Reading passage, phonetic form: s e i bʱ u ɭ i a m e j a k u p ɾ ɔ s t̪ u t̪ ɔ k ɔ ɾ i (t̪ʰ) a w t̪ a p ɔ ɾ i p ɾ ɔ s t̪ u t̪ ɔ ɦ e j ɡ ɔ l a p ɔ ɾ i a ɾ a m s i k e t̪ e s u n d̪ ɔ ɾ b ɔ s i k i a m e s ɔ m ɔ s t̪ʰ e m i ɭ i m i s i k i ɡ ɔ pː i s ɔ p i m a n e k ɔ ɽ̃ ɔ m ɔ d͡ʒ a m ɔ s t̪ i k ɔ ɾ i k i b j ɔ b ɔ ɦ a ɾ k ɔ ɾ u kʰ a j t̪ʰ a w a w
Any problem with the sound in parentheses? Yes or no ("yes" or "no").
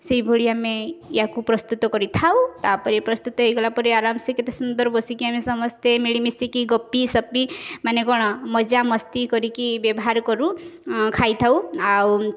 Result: no